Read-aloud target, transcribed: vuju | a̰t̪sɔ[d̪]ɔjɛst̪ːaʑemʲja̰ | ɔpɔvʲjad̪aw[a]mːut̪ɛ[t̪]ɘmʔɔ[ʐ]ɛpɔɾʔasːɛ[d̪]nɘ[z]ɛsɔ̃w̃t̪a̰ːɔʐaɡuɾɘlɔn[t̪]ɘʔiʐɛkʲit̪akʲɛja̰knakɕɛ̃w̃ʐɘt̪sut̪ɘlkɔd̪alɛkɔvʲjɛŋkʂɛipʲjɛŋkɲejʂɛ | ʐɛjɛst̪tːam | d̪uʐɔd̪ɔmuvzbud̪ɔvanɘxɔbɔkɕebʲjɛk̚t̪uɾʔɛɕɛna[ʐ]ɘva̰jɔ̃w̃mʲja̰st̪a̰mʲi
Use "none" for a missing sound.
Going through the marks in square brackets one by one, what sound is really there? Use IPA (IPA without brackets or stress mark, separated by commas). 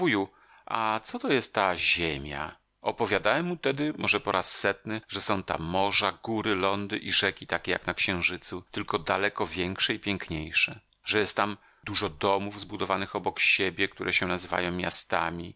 t̪, ɛ, d̪, ʐ, t̪, ʐ, d̪, z